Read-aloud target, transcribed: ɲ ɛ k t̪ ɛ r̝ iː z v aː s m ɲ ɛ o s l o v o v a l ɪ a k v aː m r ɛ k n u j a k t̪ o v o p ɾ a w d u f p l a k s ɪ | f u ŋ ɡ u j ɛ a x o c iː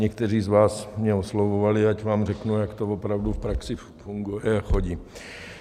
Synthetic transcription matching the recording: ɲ ɛ k t̪ ɛ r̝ iː z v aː s m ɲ ɛ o s l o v o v a l ɪ a c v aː m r ɛ k n u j a k t̪ o v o p ɾ a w d u f p ɾ a k s ɪ | f u ŋ ɡ u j ɛ a x o ɟ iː